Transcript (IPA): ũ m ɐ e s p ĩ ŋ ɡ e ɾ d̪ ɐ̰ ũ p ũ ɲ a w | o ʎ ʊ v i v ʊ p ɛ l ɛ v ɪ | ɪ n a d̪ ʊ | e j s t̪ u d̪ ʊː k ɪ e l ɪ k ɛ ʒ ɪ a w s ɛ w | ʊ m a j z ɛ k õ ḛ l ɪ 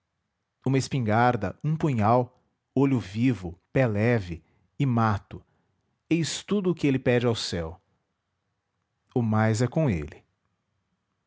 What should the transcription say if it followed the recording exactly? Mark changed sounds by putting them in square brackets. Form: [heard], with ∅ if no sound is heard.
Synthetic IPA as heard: ũ m ɐ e s p ĩ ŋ ɡ [a] ɾ d̪ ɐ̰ ũ p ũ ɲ a w | o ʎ ʊ v i v ʊ p ɛ l ɛ v ɪ | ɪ [m] a [t̪] ʊ | e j s t̪ u d̪ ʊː k ɪ e l ɪ [p] ɛ [d͡ʒ] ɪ a w s ɛ w | ʊ m a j z ɛ k õ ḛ l ɪ